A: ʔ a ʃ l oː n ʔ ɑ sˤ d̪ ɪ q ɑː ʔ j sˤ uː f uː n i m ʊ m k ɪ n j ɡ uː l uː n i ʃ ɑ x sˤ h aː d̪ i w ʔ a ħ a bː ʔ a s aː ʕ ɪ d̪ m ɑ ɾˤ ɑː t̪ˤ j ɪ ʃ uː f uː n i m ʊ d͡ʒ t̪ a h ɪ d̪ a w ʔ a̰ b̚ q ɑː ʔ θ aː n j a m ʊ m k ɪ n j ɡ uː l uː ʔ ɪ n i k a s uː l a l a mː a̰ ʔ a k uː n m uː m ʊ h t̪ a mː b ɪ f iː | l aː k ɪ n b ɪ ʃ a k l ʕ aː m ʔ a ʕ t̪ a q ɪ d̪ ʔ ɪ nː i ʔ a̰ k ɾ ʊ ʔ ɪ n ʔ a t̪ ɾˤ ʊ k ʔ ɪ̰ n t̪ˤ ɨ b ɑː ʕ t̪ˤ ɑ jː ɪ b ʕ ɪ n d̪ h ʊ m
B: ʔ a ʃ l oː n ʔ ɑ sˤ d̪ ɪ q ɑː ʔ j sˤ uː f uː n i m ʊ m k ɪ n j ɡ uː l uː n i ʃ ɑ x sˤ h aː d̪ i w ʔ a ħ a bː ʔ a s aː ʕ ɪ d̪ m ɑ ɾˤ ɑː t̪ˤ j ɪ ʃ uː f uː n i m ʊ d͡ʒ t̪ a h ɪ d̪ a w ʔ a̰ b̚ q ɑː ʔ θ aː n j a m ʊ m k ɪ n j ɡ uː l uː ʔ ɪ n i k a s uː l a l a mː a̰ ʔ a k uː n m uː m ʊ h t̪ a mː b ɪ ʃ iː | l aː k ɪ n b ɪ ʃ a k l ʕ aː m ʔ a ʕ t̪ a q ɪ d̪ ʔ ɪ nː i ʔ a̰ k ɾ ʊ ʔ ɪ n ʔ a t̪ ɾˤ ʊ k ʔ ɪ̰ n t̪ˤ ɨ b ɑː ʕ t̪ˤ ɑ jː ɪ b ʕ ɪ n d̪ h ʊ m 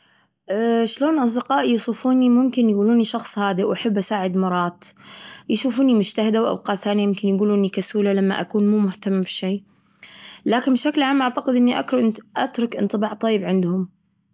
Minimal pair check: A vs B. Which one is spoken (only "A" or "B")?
B